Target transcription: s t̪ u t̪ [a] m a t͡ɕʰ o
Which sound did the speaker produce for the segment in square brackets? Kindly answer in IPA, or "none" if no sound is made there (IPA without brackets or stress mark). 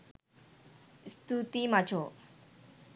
i